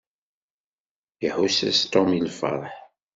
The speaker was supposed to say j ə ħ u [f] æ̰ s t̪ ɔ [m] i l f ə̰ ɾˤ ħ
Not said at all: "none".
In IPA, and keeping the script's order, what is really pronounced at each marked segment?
s, m

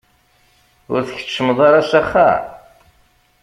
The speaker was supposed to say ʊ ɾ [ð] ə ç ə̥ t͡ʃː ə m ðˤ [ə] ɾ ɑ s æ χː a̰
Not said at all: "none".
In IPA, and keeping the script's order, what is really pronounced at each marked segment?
θ, ɑ

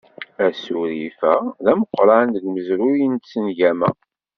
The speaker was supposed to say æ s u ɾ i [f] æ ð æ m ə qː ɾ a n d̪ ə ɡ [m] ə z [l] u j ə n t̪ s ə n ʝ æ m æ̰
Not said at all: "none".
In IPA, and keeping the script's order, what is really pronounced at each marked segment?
f, m, ɾ

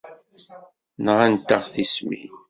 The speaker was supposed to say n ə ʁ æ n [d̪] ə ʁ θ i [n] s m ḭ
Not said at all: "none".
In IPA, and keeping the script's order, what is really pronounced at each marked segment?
t̪, none

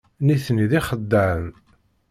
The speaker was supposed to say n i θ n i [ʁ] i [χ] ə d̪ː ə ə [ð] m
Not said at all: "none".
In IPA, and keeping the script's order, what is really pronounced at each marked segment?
ð, χ, none

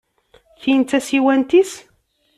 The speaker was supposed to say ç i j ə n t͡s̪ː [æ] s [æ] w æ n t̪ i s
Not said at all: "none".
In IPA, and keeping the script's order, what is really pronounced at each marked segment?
æ, i

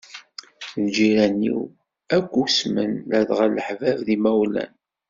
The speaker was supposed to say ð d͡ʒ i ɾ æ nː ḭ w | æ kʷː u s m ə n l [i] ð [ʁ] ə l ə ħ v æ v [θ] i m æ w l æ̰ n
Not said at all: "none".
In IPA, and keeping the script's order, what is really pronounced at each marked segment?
æ, ʁ, ð

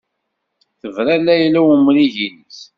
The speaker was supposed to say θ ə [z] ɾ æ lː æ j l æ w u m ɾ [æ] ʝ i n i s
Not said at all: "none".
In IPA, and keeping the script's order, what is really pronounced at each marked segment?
v, i

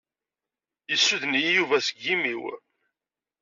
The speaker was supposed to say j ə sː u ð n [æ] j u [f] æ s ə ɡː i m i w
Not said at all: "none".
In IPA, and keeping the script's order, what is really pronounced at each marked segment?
i, v

